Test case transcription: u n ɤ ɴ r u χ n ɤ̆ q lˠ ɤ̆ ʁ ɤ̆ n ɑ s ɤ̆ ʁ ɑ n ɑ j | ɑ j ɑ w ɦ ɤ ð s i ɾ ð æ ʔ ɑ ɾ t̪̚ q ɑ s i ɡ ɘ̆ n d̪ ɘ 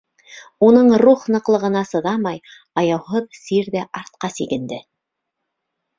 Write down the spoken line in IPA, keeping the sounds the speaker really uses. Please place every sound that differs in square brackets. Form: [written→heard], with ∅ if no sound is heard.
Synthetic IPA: u n ɤ ɴ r u χ n ɤ̆ q lˠ ɤ̆ ʁ ɤ̆ n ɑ s ɤ̆ [ʁ→ð] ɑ [n→m] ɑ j | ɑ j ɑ w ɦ ɤ ð s i ɾ ð æ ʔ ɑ ɾ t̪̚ q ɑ s i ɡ ɘ̆ n d̪ ɘ